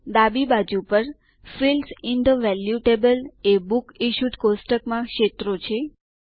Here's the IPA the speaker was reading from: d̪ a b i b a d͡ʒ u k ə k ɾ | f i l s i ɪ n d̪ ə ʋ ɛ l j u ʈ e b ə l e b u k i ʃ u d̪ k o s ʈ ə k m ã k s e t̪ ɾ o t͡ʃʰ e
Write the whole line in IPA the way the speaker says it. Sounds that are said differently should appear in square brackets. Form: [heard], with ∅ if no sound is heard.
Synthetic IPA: d̪ a b i b a d͡ʒ u [p] ə [∅] ɾ | f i l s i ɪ n d̪ ə ʋ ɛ l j u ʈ e b ə l e b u k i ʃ u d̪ k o s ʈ ə k m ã k [ʃ] e t̪ ɾ o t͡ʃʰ e